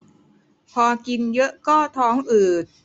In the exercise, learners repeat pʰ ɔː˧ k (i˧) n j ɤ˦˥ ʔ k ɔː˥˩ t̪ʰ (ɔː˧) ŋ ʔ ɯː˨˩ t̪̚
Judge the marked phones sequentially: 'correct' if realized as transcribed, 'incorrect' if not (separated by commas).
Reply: correct, incorrect